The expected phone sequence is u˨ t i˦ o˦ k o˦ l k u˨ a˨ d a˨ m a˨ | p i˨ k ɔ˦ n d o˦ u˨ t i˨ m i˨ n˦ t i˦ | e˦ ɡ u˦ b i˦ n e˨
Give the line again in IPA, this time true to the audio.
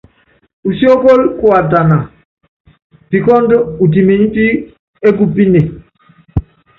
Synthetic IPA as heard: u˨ s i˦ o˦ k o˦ l k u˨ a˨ d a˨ n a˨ | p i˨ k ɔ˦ n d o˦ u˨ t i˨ m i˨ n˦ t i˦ | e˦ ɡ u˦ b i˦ n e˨